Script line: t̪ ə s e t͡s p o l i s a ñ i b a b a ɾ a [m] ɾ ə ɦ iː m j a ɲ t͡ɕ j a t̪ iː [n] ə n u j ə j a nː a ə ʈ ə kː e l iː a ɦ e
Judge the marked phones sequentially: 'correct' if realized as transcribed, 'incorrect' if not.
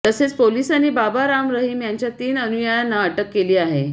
correct, correct

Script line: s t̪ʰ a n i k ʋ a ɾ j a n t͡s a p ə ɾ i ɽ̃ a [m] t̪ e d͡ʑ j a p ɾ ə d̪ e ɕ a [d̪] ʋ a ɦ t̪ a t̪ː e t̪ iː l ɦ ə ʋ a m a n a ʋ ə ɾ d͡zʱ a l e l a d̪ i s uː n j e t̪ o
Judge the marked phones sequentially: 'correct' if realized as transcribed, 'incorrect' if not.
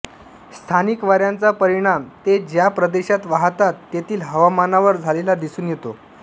correct, incorrect: t̪

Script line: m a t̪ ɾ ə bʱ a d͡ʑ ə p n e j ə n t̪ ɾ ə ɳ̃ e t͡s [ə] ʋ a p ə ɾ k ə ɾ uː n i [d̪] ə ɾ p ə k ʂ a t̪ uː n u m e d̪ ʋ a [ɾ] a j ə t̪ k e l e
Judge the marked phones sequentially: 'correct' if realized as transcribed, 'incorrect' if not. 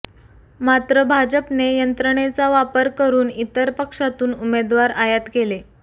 incorrect: a, incorrect: t̪, correct

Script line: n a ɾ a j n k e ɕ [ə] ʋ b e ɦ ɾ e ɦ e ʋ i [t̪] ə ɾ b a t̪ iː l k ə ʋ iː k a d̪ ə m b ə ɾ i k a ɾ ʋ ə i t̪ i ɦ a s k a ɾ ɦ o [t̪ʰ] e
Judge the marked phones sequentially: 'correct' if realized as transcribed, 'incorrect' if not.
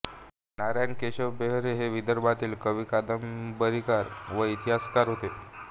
correct, incorrect: d̪, incorrect: t̪

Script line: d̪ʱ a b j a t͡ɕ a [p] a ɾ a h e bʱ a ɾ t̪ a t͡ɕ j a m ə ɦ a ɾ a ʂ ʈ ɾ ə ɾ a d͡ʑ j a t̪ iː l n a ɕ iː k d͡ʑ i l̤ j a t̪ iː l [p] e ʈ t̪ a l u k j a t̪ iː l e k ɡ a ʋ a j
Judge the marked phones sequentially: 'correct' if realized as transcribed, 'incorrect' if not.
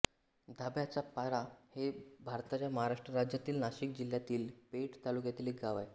correct, correct

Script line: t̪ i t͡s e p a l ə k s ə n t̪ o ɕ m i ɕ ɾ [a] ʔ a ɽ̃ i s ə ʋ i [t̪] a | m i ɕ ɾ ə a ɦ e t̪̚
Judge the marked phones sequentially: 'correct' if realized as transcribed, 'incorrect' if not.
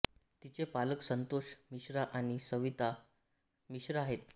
correct, correct

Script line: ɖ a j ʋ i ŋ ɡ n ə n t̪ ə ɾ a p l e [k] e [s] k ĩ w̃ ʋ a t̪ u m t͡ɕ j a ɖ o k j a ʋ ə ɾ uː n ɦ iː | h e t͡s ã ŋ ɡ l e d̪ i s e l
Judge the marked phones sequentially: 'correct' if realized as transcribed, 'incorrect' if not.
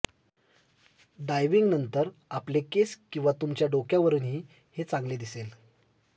correct, correct

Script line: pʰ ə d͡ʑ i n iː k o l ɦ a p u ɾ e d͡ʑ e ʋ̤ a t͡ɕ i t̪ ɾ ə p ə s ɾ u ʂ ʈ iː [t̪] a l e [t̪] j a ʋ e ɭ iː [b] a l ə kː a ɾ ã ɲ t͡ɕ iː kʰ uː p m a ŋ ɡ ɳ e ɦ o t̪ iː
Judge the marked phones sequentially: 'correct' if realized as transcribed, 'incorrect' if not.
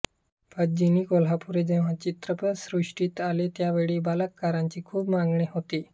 correct, correct, correct

